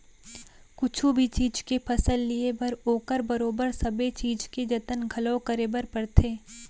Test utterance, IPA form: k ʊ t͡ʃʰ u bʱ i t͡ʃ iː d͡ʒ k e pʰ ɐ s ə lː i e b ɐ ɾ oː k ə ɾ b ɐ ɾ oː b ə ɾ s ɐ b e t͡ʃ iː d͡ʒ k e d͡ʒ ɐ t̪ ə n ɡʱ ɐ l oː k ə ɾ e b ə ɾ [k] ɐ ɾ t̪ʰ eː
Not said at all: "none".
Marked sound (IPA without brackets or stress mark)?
p